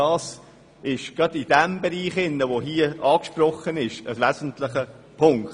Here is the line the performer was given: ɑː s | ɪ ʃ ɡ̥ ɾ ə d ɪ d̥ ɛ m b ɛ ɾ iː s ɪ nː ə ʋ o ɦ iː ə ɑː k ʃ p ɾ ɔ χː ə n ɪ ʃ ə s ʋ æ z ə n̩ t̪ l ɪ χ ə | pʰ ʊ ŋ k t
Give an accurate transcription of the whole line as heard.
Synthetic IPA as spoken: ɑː s | ɪ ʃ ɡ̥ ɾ ɑ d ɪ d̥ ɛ m b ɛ ɾ iː χ ɪ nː ə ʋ o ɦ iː ə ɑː k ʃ p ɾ ɔ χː ə n ɪ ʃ ə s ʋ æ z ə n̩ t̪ l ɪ χ ə | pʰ ʊ ŋ k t